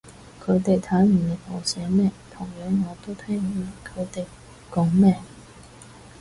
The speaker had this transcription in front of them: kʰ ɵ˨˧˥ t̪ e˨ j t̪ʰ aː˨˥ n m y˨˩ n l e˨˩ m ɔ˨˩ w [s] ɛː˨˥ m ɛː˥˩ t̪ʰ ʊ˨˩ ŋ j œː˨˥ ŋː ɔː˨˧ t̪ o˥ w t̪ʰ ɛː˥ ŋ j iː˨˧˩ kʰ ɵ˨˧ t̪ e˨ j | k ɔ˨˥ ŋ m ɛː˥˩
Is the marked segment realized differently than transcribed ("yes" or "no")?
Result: no